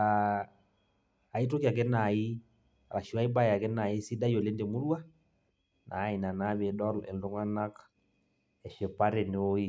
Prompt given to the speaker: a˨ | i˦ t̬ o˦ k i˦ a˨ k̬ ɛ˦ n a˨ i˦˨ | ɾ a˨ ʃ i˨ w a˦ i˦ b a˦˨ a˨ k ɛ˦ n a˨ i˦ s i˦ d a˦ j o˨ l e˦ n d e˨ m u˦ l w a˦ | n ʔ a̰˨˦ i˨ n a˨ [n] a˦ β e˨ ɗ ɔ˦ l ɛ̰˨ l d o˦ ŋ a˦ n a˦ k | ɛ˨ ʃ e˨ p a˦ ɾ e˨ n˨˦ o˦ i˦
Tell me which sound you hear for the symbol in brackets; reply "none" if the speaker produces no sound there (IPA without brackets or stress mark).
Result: n